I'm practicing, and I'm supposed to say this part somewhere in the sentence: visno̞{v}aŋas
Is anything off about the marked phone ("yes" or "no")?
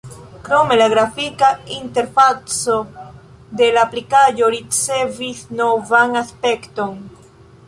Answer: no